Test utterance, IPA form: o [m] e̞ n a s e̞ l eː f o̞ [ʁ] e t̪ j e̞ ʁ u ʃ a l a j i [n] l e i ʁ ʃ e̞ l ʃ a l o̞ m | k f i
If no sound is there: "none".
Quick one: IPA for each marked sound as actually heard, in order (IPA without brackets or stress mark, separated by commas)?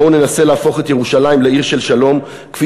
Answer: n, χ, m